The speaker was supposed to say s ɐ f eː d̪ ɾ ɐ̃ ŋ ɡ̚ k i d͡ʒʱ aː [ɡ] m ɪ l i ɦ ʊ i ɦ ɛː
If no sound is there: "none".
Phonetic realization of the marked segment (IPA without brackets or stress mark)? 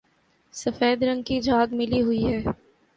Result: ɡ